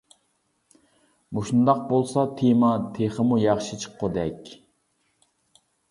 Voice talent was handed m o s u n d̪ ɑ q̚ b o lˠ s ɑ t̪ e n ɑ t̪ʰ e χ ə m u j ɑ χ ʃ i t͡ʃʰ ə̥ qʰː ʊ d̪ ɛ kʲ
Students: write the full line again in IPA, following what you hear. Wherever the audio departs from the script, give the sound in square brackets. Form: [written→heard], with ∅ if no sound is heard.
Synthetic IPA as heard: m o [s→ʃ] u n d̪ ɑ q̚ b o lˠ s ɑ [t̪→t̪ʰ] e [n→m] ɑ t̪ʰ e χ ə m u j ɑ χ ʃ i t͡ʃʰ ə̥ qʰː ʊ d̪ ɛ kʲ